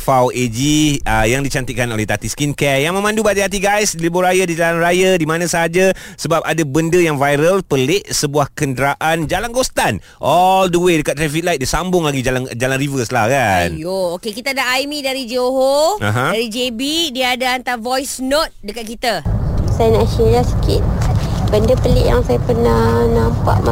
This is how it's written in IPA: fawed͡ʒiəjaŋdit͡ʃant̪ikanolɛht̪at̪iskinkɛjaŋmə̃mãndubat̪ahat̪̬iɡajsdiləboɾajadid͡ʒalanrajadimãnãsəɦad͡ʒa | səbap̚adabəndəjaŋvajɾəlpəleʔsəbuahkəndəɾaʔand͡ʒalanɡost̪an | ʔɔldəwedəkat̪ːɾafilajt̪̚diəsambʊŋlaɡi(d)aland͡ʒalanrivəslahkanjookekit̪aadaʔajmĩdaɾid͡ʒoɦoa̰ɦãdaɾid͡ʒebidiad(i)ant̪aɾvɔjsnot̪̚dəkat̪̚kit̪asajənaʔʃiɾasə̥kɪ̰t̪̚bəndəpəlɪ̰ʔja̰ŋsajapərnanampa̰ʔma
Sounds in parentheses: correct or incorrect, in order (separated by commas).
incorrect, incorrect